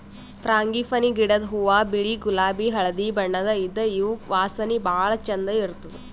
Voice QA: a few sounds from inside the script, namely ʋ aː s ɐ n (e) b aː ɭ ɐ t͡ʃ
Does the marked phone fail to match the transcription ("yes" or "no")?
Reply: yes